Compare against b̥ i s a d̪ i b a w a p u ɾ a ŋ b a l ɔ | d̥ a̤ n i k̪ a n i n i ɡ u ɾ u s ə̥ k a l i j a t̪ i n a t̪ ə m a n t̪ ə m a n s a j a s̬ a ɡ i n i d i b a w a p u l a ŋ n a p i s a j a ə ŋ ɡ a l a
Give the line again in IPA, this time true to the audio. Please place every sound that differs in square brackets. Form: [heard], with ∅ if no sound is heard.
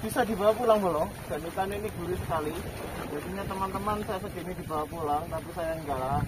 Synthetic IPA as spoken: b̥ i s a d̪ i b a w a p u [l] a ŋ b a l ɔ | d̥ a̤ n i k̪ a n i n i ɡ u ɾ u s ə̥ k a l i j a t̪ i [ɲ] a t̪ ə m a n t̪ ə m a n s a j a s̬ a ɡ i n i d i b a w a p u l a ŋ n a p i s a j a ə ŋ ɡ a l a

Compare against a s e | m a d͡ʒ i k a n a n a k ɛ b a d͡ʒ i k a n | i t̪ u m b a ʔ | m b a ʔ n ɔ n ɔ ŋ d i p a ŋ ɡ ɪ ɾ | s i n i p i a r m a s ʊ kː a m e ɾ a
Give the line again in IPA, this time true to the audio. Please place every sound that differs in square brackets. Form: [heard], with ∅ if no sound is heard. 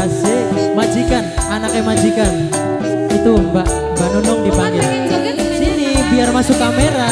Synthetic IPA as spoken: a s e | m a d͡ʒ i k a n a n a k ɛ [m] a d͡ʒ i k a n | i t̪ u m b a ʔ | m b a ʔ n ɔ n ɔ ŋ d i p a ŋ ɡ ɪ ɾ | s i n i [b] i a r m a s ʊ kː a m e ɾ a

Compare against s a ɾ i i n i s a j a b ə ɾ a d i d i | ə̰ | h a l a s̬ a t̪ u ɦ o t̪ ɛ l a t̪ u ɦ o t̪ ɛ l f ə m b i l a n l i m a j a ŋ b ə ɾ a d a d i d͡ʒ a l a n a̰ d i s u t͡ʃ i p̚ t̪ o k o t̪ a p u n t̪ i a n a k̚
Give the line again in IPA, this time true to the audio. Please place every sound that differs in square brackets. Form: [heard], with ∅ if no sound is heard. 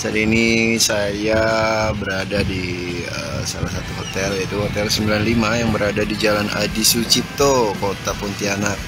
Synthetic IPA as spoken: s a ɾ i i n i s a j a b ə ɾ a d [a] d i | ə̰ | [s] a l a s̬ a t̪ u ɦ o t̪ ɛ l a t̪ u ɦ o t̪ ɛ l [s] ə m b i l a n l i m a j a ŋ b ə ɾ a d a d i d͡ʒ a l a n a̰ d i s u t͡ʃ i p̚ t̪ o k o t̪ a p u n t̪ i a n a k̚

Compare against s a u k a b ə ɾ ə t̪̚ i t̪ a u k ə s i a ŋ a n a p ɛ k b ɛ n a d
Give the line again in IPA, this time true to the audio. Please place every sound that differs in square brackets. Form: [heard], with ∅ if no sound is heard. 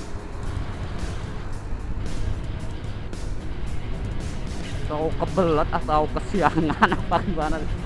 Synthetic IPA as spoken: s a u k [ə] b ə [l] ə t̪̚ [a] t̪ a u k ə s i a ŋ a n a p [a] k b [a] n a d

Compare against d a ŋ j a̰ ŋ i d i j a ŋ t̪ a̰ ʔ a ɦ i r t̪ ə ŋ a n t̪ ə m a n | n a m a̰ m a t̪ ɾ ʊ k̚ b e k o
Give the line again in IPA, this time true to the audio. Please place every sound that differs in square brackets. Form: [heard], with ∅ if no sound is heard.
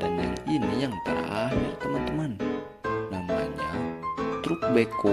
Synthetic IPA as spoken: d a [n] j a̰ ŋ i [n] i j a ŋ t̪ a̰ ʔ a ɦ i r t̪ ə [m] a n t̪ ə m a n | n a m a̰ [ɲ] a t̪ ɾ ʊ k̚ b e k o

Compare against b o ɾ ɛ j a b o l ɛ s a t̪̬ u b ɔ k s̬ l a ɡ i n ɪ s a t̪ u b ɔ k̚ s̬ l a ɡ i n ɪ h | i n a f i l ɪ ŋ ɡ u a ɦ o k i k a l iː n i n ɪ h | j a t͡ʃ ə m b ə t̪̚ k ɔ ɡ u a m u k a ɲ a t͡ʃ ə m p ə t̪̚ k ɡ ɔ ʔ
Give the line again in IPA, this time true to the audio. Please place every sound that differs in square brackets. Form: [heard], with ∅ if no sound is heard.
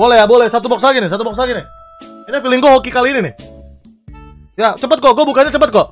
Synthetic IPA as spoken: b o [l] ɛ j a b o l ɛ s a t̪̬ u b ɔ k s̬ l a ɡ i n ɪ s a t̪ u b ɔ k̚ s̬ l a ɡ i n ɪ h | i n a f i l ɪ ŋ ɡ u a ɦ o k i k a l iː n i n ɪ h | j a t͡ʃ ə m [p] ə t̪̚ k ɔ ɡ u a [b] u k a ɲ a t͡ʃ ə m p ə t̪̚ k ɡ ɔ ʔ

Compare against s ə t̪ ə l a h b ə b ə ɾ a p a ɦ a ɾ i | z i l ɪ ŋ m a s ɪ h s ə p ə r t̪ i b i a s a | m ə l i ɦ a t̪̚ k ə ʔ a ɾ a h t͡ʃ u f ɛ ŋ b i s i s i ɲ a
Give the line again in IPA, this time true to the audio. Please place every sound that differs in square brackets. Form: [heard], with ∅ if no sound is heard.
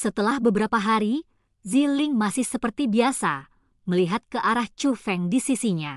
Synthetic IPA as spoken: s ə t̪ ə l a h b ə b ə ɾ a p a ɦ a ɾ i | z i l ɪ ŋ m a s ɪ h s ə p ə r t̪ i b i a s a | m ə l i ɦ a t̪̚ k ə ʔ a ɾ a h t͡ʃ u f ɛ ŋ [d] i s i s i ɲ a

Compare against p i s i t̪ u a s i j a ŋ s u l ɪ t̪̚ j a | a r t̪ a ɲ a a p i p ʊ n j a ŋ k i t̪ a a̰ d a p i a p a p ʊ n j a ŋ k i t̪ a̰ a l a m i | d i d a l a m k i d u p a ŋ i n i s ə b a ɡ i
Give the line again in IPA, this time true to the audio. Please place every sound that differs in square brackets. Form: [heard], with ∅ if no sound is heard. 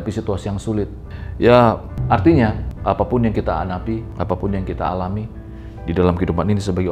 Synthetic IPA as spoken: p i s i t̪ u a s i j a ŋ s u l ɪ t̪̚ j a | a r t̪ [i] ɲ a a p [a] p ʊ n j a ŋ k i t̪ a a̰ [n] a p i a p a p ʊ n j a ŋ k i t̪ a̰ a l a m i | d i d a l a m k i d u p a [n] i n i s ə b a ɡ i

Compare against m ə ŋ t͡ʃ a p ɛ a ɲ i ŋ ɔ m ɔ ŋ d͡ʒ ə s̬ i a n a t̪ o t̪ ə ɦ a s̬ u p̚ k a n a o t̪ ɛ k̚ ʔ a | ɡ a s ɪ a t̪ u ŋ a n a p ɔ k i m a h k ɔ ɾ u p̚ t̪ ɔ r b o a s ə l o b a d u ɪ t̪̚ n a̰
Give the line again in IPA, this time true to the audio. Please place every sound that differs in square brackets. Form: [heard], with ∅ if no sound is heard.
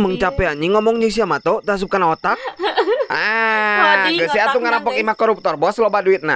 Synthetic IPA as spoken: m ə ŋ t͡ʃ a p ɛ a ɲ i ŋ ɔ m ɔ ŋ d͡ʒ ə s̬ i a [m] a t̪ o t̪ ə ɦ a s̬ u p̚ k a n a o t̪ [a] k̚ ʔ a | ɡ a s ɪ a t̪ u ŋ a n a p ɔ k i m a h k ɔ ɾ u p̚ t̪ ɔ r b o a s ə l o b a d u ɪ t̪̚ n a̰

